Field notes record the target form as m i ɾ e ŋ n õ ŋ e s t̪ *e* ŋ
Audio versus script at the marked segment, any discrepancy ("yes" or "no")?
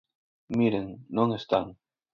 yes